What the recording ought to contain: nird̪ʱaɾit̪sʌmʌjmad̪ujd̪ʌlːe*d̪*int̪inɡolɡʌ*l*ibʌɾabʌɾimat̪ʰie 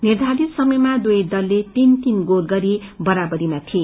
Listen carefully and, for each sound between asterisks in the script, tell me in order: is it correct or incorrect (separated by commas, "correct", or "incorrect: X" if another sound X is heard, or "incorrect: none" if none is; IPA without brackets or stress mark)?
incorrect: t̪, incorrect: ɾ